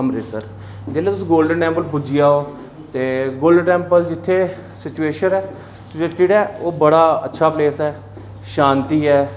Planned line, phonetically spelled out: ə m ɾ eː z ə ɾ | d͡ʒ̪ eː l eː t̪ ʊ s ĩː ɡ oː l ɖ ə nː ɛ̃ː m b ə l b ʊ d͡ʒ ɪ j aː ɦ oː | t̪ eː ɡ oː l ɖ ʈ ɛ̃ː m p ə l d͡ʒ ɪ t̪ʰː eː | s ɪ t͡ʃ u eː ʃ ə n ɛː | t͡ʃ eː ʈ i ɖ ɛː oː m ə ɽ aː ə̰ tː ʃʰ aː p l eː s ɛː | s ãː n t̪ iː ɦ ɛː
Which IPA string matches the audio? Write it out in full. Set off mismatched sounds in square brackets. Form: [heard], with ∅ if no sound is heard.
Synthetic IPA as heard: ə m ɾ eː [s] ə ɾ | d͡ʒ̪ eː l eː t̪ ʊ s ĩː ɡ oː l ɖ ə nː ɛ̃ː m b ə l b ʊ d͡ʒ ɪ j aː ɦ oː | t̪ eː ɡ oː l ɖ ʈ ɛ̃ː m p ə l d͡ʒ ɪ t̪ʰː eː | s ɪ t͡ʃ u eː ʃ ə n ɛː | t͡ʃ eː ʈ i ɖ ɛː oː [b] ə ɽ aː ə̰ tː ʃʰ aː p l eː s ɛː | [ʃ] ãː n t̪ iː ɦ ɛː